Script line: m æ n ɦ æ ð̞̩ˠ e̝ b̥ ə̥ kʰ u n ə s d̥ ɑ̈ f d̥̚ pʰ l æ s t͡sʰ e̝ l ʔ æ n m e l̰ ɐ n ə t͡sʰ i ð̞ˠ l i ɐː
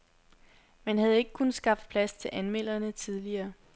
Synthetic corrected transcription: m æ n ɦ æ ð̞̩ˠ e̝ ɡ̥ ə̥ kʰ u n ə s ɡ̥ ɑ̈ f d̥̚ pʰ l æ s t͡sʰ e̝ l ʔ æ n m e l̰ ɐ n ə t͡sʰ i ð̞ˠ l i ɐː